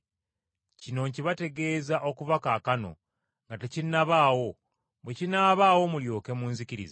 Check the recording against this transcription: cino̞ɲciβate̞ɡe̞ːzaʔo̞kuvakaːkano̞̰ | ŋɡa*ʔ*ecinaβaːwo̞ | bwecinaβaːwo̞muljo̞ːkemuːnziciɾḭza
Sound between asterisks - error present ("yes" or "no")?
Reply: yes